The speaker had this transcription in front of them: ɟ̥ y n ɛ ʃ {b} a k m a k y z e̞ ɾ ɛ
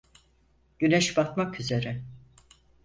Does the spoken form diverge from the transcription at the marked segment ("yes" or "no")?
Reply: no